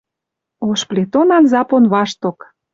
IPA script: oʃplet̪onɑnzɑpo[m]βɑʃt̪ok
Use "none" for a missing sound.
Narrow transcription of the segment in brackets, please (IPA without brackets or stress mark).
n